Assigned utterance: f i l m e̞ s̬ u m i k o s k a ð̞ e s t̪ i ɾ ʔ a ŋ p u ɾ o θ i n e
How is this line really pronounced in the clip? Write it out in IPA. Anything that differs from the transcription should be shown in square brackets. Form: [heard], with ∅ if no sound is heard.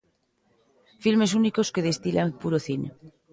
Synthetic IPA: f i l m e̞ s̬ u [n] i k o s k [e] ð̞ e s t̪ i [l] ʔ a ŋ p u ɾ o θ i n e